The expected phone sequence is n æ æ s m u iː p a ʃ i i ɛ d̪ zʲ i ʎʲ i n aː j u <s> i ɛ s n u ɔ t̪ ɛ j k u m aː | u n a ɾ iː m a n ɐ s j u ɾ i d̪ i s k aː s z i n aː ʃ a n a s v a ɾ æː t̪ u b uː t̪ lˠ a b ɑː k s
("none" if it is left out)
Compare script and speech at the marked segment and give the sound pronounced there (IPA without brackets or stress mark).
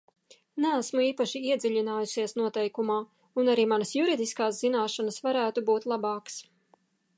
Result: s